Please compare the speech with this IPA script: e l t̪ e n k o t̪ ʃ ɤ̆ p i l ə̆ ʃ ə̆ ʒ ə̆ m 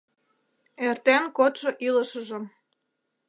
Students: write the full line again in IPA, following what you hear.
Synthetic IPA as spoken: e r t̪ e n k o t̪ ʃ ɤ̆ ʔ i l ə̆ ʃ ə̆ ʒ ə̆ m